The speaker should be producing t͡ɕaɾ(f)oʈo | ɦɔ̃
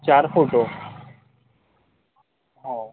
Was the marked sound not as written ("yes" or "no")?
no